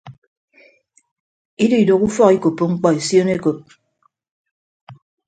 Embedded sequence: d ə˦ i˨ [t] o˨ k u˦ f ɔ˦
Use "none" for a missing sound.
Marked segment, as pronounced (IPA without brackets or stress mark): d